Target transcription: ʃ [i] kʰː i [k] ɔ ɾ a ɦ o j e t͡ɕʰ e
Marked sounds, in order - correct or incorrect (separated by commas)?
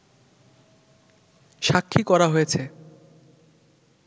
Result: incorrect, correct